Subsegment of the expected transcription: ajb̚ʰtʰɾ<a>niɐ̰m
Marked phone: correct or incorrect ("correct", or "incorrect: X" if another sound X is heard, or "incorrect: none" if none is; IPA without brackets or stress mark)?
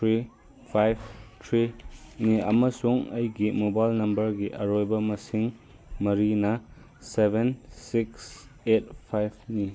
incorrect: i